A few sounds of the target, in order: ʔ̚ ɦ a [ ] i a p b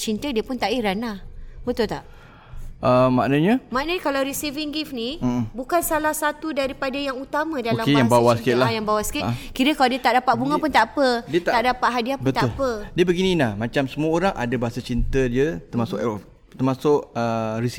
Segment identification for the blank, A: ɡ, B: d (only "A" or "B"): B